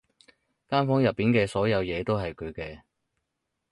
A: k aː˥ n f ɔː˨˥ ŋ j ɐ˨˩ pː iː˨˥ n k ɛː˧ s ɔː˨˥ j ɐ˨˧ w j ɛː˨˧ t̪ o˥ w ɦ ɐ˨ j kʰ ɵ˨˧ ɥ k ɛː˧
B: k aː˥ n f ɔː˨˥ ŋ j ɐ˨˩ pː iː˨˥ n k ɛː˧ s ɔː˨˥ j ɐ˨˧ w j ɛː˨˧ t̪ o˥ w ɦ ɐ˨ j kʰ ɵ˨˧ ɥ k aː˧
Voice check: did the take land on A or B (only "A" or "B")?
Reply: A